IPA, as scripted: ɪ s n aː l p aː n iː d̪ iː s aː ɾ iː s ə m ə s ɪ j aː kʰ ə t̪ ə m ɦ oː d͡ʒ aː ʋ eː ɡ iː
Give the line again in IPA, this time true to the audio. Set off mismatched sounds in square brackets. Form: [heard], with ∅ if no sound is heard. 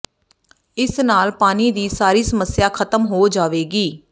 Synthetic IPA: ɪ s n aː l p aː n iː d̪ iː s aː ɾ iː s ə m ə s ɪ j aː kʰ ə t̪ ə m ɦ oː d͡ʒ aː ʋ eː ɡ iː